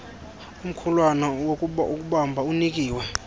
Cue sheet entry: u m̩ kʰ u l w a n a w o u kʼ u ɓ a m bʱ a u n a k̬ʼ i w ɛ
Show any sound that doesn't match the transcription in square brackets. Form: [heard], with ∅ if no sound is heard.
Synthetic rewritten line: u m̩ kʰ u l w a n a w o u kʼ u ɓ a m bʱ a u n [i] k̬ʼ [iː] w ɛ